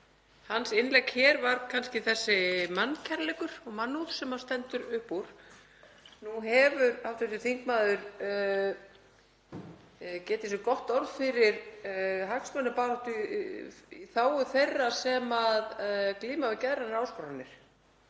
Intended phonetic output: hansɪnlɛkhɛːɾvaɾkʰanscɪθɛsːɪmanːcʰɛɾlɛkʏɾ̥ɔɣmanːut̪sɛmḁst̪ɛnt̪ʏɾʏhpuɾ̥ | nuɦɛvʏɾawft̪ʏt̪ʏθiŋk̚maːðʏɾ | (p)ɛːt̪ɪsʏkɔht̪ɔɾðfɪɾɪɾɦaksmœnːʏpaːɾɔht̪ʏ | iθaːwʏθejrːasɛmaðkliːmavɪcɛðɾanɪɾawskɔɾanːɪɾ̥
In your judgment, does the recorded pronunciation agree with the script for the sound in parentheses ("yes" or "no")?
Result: no